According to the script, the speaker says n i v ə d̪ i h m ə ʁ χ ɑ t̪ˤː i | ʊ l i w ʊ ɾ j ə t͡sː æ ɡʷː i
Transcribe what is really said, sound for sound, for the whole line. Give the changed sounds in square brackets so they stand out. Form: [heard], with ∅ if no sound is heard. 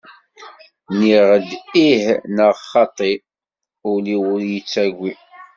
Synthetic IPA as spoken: n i [ʁ] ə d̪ i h [n] ə ʁ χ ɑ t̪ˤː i | ʊ l i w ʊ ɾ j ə t͡sː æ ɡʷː i